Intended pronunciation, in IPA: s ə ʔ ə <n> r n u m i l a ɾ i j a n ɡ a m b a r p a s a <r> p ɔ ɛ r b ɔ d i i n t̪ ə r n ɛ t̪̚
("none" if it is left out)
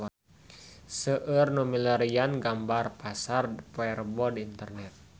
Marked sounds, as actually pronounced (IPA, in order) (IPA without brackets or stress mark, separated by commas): none, r